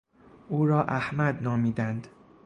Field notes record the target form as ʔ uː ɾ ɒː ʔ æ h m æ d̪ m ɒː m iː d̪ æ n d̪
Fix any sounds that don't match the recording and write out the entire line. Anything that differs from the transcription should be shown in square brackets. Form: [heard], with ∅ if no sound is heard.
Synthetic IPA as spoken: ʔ uː ɾ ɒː ʔ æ h m æ d̪ [n] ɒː m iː d̪ æ n d̪

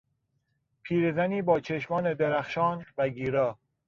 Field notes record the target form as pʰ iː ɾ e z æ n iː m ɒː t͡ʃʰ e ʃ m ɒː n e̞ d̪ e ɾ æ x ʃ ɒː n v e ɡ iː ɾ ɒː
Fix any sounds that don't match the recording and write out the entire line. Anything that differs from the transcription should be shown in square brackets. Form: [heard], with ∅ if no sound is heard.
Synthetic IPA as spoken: pʰ iː ɾ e z æ n iː [b] ɒː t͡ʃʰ e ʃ m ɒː n e̞ d̪ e ɾ æ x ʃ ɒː n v [æ] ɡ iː ɾ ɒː

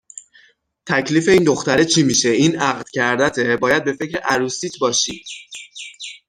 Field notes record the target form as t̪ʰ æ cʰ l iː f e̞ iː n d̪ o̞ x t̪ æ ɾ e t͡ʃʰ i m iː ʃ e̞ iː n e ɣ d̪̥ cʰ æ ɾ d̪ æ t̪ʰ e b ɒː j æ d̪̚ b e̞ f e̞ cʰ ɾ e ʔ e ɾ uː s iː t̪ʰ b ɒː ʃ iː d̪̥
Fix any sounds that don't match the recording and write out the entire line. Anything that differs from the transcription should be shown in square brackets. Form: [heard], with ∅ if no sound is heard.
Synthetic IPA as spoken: t̪ʰ æ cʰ l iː f e̞ iː n d̪ o̞ x t̪ æ ɾ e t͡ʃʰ i m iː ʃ e̞ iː n [æ] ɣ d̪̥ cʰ æ ɾ d̪ æ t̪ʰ e b ɒː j æ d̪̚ b e̞ f e̞ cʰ ɾ e ʔ [æ] ɾ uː s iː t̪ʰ b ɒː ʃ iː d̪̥

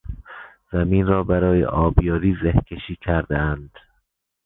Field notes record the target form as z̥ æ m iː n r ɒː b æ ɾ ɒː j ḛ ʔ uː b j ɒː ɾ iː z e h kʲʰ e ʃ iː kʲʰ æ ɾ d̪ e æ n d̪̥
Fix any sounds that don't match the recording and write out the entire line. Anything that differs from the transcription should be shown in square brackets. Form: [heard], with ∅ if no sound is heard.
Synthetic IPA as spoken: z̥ æ m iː n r ɒː b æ ɾ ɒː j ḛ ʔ [ɒː] b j ɒː ɾ iː z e h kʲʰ e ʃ iː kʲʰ æ ɾ d̪ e æ n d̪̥

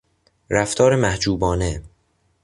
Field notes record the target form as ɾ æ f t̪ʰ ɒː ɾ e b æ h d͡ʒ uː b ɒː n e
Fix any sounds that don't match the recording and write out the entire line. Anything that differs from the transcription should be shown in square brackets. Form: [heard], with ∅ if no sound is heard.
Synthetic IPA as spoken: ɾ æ f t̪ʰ ɒː ɾ e [m] æ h d͡ʒ uː b ɒː n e

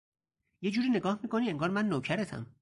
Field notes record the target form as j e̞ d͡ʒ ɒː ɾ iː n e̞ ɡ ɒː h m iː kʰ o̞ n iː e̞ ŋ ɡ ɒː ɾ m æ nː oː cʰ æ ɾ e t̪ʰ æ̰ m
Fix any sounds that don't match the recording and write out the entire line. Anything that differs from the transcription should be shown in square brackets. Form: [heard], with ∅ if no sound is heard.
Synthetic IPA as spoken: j e̞ d͡ʒ [uː] ɾ iː n e̞ ɡ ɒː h m iː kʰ o̞ n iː e̞ ŋ ɡ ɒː ɾ m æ nː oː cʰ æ ɾ e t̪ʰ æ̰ m

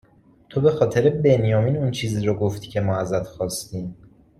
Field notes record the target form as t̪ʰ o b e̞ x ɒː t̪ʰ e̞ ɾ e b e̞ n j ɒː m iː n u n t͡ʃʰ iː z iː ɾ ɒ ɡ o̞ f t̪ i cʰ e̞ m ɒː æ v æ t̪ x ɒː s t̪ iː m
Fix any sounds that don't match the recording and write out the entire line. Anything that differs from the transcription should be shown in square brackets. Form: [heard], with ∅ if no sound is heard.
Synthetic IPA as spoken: t̪ʰ o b e̞ x ɒː t̪ʰ e̞ ɾ e b e̞ n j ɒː m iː n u n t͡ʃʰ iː z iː ɾ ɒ ɡ o̞ f t̪ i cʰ e̞ m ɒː æ [z] æ t̪ x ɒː s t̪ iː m

